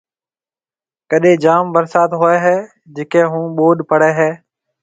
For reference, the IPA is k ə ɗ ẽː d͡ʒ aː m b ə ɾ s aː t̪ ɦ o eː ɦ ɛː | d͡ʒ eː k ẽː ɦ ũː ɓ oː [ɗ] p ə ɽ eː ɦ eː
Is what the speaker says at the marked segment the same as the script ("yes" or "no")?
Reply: yes